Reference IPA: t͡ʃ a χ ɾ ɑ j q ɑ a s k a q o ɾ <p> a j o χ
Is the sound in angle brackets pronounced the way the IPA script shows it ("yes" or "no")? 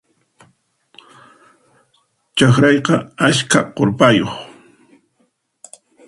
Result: yes